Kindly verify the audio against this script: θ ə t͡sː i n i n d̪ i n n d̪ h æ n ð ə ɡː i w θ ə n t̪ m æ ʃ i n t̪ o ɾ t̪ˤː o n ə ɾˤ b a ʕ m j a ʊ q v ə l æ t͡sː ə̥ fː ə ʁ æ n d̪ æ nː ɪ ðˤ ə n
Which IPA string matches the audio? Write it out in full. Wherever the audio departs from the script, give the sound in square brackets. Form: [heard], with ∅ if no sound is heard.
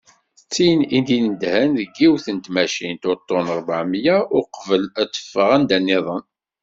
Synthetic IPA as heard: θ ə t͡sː i n i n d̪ i n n d̪ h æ n ð ə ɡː i w θ ə n t̪ m æ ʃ i n t̪ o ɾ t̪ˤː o n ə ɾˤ b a ʕ m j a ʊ q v ə l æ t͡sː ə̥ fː ə ʁ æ n d̪ æ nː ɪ ðˤ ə n